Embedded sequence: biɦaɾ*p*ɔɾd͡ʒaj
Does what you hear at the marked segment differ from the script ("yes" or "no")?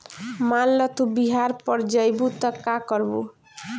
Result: no